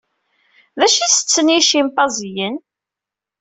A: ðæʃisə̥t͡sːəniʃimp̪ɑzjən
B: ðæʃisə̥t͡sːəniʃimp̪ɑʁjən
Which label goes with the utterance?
A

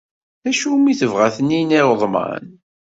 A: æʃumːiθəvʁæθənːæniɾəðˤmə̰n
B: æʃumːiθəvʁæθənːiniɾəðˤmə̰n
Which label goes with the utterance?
B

